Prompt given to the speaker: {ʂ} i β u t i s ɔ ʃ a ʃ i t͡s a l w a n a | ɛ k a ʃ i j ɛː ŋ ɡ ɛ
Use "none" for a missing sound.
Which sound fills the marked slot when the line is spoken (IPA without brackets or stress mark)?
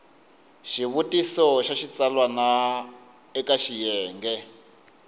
ʃ